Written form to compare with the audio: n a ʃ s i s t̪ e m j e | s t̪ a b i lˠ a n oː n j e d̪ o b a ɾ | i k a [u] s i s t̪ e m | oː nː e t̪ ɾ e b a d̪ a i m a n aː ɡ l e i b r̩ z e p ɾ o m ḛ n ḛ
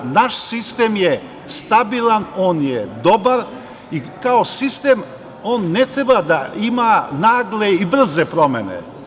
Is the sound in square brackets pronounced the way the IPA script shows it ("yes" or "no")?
no